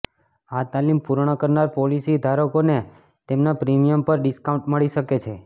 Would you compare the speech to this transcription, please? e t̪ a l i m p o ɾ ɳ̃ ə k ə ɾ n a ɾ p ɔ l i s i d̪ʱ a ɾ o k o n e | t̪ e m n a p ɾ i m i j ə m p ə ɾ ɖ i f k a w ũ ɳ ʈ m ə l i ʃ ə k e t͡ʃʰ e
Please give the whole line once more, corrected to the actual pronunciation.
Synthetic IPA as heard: a t̪ a l i m p u ɾ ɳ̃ ə k ə ɾ n a ɾ p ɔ l i s i d̪ʱ a ɾ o k o n e | t̪ e m n a p ɾ i m i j ə m p ə ɾ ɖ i s k a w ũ ɳ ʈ m ə ɭ i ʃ ə k e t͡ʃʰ e